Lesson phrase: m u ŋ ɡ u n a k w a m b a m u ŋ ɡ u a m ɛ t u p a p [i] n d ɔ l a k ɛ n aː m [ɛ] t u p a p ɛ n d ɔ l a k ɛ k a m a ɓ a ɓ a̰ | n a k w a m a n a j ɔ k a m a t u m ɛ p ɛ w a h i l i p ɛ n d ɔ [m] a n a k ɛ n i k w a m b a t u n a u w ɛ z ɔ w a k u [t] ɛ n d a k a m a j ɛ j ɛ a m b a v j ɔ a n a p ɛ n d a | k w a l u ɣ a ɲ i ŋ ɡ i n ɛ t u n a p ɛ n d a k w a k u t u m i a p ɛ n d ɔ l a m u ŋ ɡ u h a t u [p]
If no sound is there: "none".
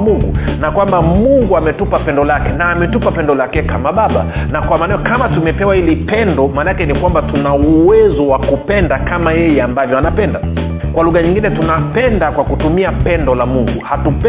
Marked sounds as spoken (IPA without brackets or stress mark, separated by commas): ɛ, ɛ, m, p, p